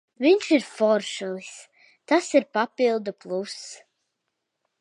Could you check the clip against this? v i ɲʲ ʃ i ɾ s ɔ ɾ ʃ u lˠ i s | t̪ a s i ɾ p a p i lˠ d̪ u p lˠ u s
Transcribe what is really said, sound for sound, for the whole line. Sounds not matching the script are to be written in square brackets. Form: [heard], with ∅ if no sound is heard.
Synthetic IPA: v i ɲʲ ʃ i ɾ [f] ɔ ɾ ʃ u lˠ i s | t̪ a s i ɾ p a p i lˠ d̪ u p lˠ u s